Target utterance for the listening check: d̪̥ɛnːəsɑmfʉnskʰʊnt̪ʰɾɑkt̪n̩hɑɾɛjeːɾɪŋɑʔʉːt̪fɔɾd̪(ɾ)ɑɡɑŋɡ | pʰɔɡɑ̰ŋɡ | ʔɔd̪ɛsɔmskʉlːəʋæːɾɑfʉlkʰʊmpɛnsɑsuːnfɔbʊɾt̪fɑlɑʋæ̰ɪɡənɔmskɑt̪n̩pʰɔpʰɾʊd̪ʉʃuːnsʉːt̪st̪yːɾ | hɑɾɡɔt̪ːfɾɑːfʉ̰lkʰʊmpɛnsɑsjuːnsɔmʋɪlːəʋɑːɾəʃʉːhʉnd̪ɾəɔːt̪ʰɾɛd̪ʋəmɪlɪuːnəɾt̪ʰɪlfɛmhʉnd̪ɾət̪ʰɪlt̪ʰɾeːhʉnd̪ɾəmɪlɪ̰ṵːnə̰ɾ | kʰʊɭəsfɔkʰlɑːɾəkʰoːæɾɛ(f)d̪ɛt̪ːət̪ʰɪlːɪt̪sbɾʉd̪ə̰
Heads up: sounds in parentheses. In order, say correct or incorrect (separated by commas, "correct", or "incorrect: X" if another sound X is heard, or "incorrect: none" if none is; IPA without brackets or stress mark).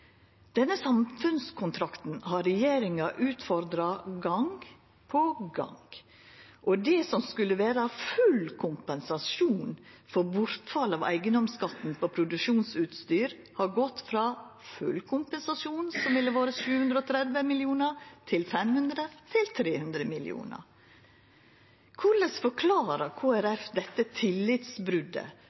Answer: correct, correct